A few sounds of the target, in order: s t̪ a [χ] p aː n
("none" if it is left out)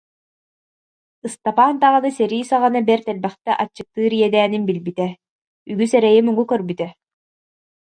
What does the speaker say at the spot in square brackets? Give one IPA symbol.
none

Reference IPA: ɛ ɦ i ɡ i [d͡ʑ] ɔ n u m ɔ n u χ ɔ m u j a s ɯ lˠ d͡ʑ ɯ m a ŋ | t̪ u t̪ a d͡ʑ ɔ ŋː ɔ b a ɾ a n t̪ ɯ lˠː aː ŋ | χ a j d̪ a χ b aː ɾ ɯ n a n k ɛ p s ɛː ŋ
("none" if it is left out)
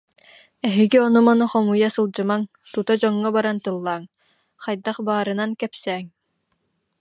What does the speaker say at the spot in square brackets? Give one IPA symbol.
none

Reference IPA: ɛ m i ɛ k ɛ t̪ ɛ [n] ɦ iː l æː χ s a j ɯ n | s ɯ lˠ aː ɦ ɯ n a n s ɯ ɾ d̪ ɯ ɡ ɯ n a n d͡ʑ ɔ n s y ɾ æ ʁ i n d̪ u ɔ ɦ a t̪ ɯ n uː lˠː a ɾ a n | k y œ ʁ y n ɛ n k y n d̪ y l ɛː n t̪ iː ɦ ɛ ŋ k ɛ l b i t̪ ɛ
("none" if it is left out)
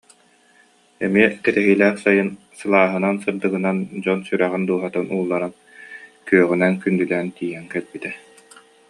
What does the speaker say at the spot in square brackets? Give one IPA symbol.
none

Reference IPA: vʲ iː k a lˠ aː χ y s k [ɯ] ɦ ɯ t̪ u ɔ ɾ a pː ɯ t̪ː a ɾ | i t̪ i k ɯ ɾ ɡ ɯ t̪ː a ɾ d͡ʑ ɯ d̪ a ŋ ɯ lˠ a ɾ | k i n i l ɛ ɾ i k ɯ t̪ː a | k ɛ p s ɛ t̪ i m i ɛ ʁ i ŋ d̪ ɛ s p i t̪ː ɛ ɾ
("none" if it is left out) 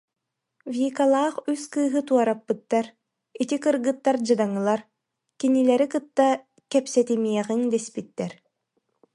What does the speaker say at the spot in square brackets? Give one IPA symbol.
ɯː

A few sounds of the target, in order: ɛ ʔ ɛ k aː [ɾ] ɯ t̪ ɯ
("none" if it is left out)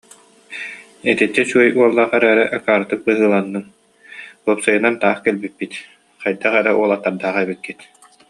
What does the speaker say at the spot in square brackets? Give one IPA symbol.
ɾ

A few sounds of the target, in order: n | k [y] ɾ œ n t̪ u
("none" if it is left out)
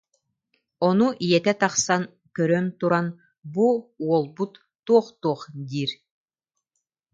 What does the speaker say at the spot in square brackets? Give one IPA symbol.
œ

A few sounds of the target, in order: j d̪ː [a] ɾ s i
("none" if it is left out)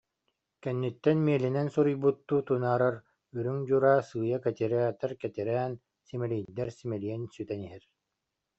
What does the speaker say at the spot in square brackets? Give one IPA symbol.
ɛ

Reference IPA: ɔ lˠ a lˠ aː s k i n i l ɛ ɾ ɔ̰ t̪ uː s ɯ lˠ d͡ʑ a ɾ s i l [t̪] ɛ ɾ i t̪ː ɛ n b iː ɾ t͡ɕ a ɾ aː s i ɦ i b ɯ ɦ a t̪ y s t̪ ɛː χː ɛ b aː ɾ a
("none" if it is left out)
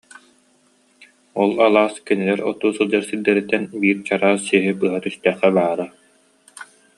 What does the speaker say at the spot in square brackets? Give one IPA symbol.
d̪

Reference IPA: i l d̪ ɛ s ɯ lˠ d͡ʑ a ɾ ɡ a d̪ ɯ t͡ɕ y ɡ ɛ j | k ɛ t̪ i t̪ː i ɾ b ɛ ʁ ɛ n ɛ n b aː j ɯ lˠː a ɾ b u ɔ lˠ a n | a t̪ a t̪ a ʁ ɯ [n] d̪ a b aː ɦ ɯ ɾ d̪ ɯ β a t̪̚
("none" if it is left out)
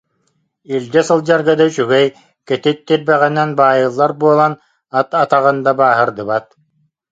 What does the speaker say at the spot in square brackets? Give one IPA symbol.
n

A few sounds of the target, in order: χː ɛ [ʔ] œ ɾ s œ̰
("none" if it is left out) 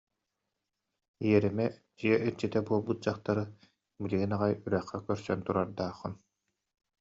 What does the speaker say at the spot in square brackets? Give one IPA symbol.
k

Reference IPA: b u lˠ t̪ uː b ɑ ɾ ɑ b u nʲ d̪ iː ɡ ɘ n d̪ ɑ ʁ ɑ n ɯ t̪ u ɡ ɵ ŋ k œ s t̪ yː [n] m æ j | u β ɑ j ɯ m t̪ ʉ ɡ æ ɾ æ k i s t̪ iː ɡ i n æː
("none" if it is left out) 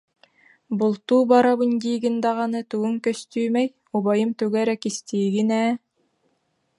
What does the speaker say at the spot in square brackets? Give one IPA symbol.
none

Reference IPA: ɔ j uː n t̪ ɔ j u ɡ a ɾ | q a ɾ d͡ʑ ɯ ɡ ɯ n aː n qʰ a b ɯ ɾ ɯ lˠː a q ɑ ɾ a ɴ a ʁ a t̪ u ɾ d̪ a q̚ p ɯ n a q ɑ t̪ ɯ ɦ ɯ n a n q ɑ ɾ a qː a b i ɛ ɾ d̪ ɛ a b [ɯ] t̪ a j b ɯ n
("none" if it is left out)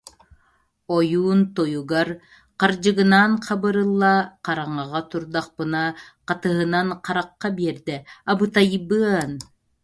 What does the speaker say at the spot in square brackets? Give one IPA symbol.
ɯ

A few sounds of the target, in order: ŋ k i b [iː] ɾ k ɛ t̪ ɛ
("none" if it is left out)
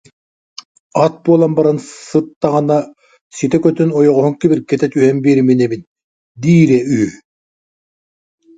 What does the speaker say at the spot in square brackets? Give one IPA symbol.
i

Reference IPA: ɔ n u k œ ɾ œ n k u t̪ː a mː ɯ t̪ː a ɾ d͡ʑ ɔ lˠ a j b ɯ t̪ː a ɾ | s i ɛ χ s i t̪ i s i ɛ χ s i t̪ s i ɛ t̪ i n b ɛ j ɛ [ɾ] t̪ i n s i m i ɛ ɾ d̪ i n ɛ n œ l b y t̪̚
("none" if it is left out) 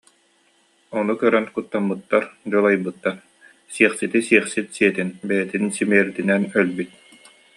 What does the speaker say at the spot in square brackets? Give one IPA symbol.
none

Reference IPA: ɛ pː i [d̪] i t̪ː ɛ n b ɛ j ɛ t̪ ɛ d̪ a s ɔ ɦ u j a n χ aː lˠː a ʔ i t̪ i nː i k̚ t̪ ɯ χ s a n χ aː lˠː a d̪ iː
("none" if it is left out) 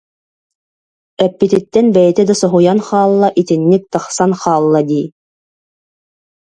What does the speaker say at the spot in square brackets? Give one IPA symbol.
t̪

